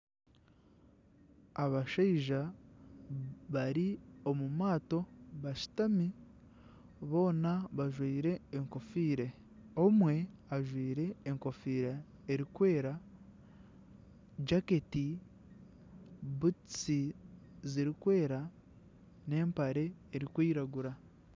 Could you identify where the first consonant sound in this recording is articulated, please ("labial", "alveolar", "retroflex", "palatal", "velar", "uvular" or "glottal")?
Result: labial